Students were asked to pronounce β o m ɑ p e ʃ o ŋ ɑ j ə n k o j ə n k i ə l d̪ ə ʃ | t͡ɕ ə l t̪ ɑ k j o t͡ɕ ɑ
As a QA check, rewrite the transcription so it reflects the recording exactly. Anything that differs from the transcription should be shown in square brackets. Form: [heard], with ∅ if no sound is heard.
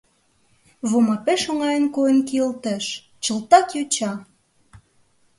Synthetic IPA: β o m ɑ p e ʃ o ŋ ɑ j ə n k o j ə n k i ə l [t̪] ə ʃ | t͡ɕ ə l t̪ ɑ k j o t͡ɕ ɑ